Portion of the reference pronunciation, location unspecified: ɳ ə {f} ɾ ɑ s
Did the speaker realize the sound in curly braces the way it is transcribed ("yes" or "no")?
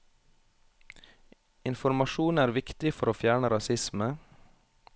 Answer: no